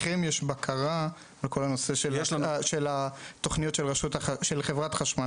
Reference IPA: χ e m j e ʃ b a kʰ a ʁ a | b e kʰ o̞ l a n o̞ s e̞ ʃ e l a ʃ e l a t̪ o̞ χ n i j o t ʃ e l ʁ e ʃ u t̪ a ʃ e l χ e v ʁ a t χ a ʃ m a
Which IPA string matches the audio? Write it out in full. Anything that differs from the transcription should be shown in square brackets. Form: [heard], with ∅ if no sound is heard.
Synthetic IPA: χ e m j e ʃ b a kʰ a ʁ a | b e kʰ o̞ l a n o̞ s e̞ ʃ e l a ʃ e l a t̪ o̞ χ n i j o t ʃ e l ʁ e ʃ u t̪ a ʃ e l χ e v ʁ a t χ a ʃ m a